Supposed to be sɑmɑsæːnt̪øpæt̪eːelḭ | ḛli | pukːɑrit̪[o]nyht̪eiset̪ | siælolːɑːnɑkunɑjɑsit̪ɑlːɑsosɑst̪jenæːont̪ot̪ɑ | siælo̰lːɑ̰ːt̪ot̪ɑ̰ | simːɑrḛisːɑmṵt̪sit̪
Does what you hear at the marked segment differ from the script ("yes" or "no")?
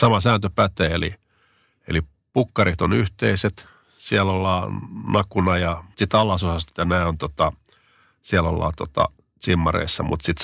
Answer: no